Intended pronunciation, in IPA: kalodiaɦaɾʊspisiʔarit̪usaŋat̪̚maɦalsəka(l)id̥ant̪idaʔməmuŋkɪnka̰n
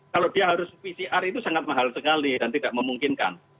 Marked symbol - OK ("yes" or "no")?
yes